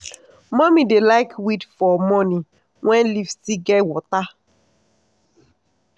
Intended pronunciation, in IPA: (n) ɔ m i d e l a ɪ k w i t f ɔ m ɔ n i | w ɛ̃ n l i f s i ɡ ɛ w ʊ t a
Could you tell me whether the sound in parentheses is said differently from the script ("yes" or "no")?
yes